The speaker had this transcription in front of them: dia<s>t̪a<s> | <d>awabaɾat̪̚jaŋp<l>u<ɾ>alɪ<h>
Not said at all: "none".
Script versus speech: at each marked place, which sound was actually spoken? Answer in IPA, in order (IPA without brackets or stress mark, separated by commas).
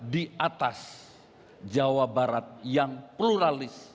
none, s, d͡ʒ, l, ɾ, s